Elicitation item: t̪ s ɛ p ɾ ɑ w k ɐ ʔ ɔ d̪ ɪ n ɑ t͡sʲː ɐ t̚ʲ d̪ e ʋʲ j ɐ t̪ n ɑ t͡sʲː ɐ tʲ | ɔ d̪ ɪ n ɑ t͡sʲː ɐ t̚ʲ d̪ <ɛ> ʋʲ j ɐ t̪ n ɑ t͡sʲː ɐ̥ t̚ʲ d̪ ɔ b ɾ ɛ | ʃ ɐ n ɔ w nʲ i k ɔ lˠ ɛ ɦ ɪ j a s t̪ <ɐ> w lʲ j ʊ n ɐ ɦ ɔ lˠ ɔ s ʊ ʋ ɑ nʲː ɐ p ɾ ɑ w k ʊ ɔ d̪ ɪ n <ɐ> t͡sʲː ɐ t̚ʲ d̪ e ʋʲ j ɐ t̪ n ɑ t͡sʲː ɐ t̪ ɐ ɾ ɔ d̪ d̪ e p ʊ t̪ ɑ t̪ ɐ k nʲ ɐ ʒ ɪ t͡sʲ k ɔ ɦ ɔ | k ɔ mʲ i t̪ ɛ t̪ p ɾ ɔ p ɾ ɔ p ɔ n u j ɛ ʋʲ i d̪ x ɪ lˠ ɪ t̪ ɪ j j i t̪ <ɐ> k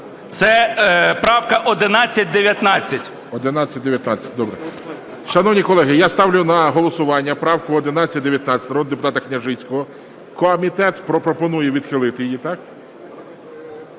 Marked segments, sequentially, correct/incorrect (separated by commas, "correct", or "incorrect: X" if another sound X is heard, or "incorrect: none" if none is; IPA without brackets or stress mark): incorrect: e, incorrect: ɑ, incorrect: ɑ, incorrect: ɑ